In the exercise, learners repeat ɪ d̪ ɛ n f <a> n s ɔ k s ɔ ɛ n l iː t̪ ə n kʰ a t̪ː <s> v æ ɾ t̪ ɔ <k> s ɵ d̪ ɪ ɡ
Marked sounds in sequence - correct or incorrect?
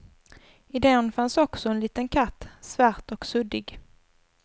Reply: correct, correct, correct

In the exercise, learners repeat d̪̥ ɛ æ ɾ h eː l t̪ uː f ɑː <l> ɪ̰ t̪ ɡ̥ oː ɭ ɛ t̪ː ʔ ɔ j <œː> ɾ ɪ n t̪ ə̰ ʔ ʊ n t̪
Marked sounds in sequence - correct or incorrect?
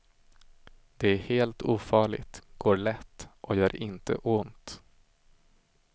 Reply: incorrect, correct

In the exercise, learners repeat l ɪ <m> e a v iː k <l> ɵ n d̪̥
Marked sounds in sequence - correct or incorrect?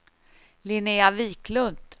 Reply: incorrect, correct

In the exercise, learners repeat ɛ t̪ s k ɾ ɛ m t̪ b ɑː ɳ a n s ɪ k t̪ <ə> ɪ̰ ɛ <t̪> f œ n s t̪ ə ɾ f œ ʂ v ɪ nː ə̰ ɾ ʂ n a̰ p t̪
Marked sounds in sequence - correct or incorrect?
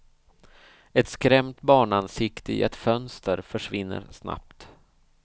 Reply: correct, correct

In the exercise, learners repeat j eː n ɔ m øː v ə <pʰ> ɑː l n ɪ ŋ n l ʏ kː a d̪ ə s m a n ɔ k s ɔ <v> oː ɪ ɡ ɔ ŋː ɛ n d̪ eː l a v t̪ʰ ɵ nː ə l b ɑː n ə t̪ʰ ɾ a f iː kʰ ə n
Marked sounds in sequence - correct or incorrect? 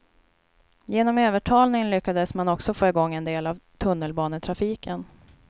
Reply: incorrect, incorrect

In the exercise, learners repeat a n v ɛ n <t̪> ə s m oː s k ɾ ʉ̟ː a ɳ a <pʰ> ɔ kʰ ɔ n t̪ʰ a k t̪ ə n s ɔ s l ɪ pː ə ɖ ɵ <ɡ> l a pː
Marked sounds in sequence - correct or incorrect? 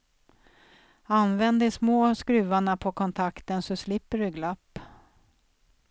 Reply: incorrect, correct, correct

